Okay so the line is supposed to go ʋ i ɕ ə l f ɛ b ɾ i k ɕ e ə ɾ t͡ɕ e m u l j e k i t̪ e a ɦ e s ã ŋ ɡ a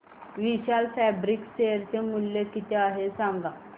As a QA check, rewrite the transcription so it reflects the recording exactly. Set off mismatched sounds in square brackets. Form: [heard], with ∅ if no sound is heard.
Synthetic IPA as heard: ʋ i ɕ [a] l f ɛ b ɾ i k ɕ e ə ɾ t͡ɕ e m u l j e k i t̪ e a ɦ e s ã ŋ ɡ a